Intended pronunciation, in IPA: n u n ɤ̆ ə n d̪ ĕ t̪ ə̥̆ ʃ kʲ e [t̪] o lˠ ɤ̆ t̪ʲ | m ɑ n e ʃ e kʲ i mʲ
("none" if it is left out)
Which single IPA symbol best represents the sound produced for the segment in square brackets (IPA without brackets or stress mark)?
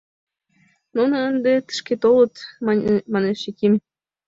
t̪